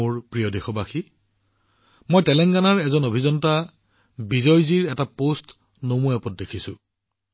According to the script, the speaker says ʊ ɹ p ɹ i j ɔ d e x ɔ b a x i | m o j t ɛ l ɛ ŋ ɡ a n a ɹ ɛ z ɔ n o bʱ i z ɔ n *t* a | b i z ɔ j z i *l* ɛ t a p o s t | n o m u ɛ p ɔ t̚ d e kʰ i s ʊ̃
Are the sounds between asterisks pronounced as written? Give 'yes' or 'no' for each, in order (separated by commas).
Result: yes, no